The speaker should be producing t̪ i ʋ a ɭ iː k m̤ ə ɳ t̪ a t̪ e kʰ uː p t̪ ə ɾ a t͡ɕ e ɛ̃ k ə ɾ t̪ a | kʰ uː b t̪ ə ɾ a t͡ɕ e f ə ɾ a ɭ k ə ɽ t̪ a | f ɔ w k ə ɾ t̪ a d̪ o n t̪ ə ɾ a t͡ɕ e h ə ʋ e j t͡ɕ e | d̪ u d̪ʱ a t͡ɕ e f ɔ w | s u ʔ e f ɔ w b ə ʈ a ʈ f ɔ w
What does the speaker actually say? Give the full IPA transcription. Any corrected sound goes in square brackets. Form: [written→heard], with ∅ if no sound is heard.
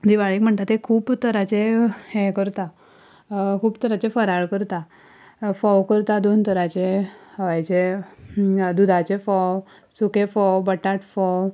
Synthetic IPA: [t̪→d̪] i ʋ a ɭ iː k m̤ ə ɳ t̪ a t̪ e kʰ uː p t̪ ə ɾ a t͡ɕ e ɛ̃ k ə ɾ t̪ a | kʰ uː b t̪ ə ɾ a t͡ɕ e f ə ɾ a ɭ k ə [ɽ→ɾ] t̪ a | f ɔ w k ə ɾ t̪ a d̪ o n t̪ ə ɾ a t͡ɕ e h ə ʋ [e→a] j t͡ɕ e | d̪ u d̪ʱ a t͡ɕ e f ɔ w | s u [ʔ→k] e f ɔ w b ə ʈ a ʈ f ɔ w